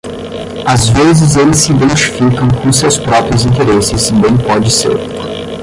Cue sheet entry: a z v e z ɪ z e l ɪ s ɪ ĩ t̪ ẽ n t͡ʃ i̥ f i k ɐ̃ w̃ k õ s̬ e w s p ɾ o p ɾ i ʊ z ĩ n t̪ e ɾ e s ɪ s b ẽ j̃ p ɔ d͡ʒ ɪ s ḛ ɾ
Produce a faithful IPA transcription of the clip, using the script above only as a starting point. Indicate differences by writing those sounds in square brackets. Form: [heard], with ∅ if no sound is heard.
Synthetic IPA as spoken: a z v e z ɪ z e l ɪ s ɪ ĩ [d̪] ẽ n t͡ʃ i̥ f i k ɐ̃ w̃ k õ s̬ e w s p ɾ [ɔ] p ɾ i ʊ z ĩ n t̪ e ɾ e s ɪ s b ẽ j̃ p ɔ d͡ʒ ɪ s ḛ ɾ